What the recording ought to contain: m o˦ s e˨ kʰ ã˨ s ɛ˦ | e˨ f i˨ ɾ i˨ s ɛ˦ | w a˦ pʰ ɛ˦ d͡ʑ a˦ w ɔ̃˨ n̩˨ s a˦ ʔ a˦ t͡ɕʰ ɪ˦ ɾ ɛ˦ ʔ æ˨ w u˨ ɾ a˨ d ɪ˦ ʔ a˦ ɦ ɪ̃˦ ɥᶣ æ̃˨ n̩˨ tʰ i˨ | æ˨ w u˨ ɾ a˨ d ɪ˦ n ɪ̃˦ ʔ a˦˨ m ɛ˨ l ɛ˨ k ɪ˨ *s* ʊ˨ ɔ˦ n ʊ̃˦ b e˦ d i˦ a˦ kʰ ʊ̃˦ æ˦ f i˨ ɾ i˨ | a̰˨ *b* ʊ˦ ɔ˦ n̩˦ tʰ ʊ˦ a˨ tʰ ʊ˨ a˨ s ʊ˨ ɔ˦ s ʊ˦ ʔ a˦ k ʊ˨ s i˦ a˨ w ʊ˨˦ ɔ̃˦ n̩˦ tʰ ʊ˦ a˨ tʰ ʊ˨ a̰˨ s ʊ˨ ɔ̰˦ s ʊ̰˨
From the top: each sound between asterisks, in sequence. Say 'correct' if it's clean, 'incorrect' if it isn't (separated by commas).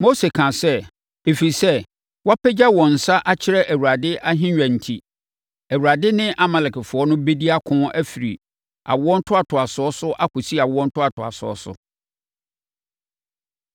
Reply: incorrect, incorrect